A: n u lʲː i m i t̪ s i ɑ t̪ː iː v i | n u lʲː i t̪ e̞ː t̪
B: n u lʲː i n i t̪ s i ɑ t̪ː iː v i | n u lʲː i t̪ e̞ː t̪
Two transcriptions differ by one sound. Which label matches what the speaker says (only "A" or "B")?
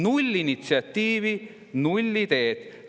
B